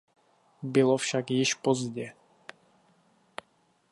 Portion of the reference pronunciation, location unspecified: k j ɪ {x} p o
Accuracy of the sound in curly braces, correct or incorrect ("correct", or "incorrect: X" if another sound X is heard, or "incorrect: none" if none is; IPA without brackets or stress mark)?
incorrect: ʃ